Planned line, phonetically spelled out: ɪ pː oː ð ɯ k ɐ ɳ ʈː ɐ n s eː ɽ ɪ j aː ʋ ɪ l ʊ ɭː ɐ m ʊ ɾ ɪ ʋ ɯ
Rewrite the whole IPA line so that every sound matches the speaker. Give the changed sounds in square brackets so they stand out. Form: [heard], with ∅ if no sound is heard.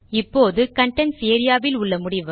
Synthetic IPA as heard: ɪ pː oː ð ɯ k ɐ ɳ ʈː ɐ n s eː [ɾ] ɪ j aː ʋ ɪ l ʊ ɭː ɐ m ʊ [ɽ] ɪ ʋ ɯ